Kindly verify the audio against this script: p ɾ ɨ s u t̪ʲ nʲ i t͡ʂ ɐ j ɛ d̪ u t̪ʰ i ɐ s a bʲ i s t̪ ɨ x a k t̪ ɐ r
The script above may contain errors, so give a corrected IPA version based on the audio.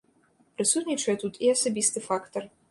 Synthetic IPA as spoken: p ɾ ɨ s u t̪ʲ nʲ i t͡ʂ ɐ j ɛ t̪ u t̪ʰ i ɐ s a bʲ i s t̪ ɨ f a k t̪ ɐ r